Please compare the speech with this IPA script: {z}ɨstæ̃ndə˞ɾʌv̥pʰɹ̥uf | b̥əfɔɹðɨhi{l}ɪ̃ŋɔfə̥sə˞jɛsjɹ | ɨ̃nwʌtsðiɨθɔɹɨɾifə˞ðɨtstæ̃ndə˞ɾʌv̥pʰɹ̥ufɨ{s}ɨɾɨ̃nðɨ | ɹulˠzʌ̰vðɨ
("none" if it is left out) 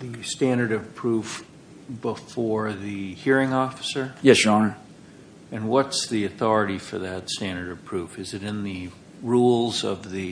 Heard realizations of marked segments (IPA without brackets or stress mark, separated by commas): ð, ɹ, z